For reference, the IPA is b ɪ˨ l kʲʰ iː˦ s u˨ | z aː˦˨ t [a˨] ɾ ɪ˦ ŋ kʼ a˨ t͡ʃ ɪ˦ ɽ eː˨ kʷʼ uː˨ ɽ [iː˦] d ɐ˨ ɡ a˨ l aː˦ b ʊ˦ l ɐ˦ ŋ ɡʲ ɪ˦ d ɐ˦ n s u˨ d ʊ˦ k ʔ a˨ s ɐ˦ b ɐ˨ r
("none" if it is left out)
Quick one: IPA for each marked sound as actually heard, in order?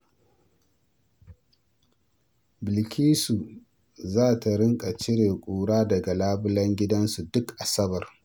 a˨, aː˦

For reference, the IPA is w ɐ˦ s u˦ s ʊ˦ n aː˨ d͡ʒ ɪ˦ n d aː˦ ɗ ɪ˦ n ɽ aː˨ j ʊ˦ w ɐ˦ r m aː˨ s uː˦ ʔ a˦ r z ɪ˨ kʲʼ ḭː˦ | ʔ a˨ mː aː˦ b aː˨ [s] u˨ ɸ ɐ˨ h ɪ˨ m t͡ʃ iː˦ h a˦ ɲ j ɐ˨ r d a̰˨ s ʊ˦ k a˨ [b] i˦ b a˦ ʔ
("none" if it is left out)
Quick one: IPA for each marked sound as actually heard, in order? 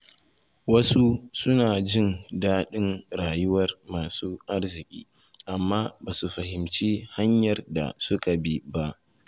s, b

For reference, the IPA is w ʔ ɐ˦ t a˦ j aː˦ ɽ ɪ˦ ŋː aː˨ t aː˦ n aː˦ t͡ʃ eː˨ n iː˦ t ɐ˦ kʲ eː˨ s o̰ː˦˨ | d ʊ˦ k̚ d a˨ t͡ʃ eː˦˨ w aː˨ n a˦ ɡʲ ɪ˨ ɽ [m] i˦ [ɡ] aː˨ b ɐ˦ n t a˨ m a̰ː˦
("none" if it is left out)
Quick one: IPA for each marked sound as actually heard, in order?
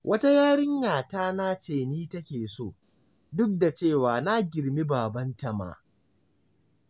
m, b

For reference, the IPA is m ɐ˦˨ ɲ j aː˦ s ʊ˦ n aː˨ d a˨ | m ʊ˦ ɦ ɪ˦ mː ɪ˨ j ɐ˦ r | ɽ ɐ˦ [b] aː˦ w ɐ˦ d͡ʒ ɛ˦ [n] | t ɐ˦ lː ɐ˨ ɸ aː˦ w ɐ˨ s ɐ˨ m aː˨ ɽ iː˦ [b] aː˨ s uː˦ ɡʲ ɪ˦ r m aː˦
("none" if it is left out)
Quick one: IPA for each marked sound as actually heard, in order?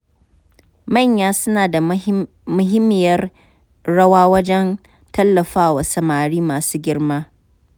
w, n, m

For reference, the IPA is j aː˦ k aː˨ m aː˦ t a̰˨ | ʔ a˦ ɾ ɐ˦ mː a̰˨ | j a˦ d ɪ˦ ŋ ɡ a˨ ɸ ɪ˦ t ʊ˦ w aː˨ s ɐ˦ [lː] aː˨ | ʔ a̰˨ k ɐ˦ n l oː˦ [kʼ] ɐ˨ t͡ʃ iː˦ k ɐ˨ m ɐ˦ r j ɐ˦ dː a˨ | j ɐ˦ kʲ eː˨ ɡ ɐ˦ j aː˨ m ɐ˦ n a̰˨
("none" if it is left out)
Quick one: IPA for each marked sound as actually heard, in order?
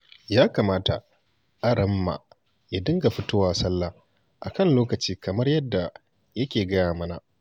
lː, k

